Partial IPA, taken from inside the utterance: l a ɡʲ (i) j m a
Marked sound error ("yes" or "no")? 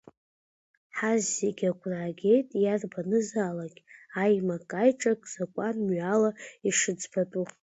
yes